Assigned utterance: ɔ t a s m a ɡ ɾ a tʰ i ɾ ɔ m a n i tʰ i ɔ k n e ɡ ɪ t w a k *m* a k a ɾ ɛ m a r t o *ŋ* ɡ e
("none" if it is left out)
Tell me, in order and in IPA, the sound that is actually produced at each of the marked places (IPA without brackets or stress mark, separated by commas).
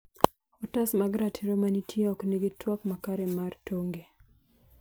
m, ŋ